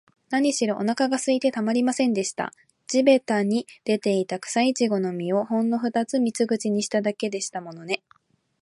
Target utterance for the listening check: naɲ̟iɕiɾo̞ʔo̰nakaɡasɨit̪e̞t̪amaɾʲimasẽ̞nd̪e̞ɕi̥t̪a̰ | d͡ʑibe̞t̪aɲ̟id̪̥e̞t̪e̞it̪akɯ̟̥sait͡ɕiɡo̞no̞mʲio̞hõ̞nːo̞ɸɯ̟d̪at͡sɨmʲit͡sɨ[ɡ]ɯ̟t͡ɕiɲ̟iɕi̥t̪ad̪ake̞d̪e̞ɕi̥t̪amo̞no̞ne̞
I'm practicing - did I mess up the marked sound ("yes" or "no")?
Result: no